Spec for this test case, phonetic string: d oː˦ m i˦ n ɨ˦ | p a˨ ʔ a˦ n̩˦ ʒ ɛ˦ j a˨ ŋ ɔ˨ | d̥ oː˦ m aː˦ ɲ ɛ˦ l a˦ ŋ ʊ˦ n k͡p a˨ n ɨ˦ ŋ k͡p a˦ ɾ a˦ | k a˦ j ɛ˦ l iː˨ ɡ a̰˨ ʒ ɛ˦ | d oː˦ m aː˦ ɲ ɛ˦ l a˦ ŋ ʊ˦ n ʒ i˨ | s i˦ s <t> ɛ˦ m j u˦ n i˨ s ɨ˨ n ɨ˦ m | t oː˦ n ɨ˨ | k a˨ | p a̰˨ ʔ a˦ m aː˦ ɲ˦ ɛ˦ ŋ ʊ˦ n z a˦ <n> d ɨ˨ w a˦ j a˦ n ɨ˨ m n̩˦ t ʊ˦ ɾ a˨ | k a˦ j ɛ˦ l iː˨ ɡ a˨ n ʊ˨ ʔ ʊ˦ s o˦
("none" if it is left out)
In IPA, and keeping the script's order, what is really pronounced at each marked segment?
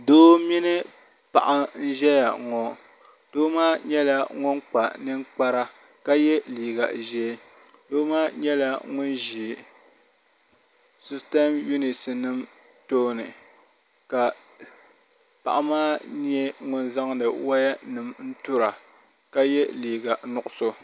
t, ŋ

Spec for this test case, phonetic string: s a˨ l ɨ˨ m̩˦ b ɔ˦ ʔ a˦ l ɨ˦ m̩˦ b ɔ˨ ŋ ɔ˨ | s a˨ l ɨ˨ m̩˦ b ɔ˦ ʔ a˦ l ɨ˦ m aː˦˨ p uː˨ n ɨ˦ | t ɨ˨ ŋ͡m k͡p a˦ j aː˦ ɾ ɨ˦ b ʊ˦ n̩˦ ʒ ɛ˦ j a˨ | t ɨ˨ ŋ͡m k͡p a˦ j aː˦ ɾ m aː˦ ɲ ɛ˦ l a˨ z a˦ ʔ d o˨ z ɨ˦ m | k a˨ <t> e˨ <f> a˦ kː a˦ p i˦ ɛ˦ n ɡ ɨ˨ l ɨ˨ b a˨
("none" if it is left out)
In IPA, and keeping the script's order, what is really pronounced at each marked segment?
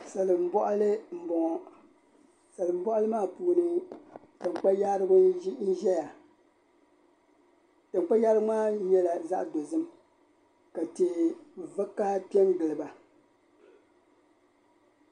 t, v

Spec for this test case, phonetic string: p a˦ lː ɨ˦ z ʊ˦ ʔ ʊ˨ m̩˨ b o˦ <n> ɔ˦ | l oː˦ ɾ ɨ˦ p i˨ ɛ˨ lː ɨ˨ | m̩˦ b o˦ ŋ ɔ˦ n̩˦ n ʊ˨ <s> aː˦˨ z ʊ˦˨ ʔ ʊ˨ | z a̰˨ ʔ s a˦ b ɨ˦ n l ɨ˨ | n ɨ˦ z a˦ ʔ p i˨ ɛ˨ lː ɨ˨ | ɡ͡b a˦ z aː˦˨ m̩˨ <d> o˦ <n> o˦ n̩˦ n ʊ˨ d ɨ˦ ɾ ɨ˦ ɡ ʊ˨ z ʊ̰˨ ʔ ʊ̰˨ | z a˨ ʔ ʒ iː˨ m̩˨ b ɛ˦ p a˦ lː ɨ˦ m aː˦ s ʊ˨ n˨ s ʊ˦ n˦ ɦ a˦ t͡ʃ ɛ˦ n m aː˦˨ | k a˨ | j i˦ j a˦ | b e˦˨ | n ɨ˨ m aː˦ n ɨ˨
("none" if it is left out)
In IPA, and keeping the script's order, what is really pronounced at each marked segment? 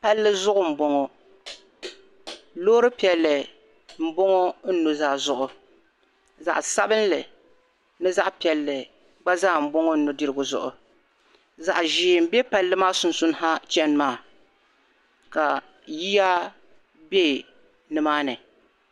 ŋ, z, b, ŋ

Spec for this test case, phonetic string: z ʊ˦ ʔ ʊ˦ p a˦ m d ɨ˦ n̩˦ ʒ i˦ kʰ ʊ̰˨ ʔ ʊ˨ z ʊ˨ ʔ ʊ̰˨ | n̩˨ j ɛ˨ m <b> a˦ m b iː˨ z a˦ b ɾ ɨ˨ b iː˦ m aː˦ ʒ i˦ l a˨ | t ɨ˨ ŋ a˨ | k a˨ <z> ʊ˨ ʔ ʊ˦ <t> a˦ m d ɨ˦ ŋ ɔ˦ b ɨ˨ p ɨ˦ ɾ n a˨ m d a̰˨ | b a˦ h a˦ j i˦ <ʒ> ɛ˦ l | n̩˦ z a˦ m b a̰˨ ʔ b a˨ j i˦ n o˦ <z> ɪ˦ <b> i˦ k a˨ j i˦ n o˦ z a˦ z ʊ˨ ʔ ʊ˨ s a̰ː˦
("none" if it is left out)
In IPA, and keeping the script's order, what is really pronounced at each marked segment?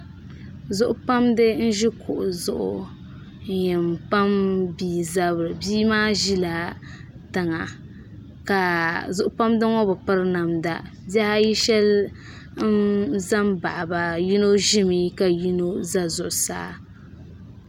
p, z, p, ʃ, ʒ, m

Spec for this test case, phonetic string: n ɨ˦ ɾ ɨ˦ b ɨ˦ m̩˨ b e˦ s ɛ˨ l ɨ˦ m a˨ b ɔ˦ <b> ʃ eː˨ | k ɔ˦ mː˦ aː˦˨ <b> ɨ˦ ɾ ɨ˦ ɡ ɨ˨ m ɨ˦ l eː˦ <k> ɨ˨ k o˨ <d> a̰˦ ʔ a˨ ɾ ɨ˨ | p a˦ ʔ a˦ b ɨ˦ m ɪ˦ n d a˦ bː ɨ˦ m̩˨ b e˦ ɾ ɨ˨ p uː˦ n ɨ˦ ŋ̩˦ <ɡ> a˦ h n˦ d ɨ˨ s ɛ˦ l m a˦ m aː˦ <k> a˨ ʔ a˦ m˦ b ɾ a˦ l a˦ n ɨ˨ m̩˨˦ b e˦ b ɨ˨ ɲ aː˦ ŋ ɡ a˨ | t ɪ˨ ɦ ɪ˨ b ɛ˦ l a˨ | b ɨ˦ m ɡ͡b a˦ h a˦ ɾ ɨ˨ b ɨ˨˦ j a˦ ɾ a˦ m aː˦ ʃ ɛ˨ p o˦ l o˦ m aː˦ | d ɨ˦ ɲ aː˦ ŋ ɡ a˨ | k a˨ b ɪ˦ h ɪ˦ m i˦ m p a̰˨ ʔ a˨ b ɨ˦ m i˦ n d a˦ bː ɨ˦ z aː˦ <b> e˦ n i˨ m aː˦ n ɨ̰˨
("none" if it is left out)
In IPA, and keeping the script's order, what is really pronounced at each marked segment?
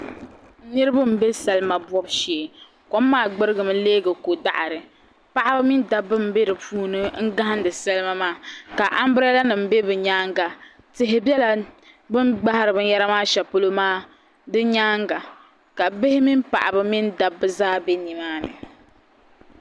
b, ɡ͡b, ɡ, d, ɡ, k, b

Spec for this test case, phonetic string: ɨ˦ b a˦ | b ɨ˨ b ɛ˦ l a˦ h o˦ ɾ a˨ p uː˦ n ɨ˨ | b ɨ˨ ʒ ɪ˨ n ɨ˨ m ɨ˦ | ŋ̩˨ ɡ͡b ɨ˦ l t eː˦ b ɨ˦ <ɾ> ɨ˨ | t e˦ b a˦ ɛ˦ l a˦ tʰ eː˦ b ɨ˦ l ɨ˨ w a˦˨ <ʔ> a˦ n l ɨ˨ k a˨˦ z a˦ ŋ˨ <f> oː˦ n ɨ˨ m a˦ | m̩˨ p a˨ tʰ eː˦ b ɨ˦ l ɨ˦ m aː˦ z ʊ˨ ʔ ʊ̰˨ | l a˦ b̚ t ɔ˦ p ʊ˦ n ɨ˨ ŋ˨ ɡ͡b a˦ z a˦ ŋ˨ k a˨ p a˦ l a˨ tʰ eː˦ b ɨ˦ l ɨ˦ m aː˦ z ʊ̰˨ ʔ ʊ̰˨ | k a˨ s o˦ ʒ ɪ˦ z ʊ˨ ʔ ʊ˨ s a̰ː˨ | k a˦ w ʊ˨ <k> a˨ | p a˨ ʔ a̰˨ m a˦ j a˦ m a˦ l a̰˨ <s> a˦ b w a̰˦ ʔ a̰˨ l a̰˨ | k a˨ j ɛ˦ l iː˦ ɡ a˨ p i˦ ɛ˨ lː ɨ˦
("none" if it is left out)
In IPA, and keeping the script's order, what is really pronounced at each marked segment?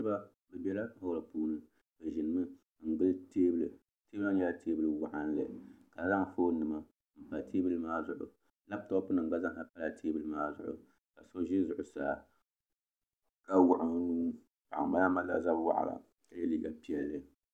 l, ʔ, f, ʔ, z

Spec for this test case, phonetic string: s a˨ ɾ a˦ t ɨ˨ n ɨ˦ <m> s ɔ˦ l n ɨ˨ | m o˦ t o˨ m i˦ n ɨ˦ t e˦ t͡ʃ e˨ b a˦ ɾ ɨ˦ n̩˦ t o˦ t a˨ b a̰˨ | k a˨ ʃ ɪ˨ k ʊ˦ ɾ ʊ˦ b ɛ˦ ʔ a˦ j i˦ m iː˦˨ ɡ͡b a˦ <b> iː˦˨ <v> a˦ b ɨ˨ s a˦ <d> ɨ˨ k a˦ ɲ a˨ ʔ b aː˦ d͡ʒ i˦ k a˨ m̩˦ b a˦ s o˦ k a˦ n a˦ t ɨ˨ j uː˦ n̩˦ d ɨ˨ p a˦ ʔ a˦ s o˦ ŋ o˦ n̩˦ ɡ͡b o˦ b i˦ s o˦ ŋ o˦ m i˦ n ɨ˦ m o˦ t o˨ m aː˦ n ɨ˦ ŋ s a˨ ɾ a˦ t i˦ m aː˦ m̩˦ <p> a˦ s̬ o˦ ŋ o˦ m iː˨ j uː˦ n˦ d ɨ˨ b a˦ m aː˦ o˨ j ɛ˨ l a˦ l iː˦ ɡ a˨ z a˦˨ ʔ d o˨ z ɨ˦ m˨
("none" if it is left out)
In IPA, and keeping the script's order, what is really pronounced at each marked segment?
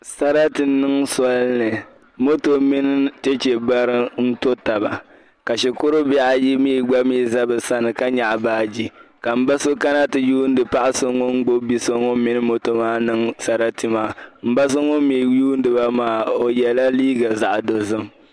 ŋ, m, z, n, b

